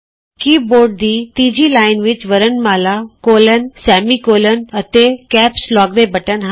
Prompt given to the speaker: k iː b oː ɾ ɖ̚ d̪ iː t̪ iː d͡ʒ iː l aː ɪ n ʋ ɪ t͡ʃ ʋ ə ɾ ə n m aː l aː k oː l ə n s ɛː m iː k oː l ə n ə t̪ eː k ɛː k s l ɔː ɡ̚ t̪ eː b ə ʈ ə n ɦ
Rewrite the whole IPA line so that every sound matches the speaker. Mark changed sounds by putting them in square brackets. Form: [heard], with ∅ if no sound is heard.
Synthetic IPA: k iː b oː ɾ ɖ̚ d̪ iː t̪ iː d͡ʒ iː l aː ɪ n ʋ ɪ t͡ʃ ʋ ə ɾ ə n m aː l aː k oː l ə n s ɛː m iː k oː l ə n ə t̪ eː k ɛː [p] s l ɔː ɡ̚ [d̪] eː b ə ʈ ə n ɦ